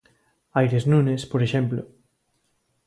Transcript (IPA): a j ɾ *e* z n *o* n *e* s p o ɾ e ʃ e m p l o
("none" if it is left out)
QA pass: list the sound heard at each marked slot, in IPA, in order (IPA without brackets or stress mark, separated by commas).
e, u, e